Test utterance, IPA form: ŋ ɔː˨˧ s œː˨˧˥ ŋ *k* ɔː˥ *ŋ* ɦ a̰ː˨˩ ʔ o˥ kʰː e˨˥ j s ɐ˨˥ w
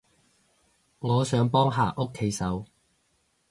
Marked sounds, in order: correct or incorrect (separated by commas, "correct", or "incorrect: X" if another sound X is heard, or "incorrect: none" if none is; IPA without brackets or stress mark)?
incorrect: p, correct